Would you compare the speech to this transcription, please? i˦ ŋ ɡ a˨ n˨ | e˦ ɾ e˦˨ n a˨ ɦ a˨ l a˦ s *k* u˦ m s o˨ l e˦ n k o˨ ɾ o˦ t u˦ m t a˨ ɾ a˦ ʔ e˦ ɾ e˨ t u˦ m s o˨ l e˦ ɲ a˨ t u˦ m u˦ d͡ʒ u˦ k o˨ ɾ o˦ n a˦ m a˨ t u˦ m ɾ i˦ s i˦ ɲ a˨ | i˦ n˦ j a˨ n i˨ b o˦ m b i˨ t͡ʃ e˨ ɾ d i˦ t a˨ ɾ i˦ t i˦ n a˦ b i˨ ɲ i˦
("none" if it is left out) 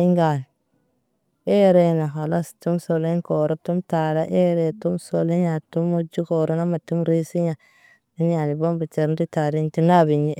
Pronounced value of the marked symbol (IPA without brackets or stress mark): t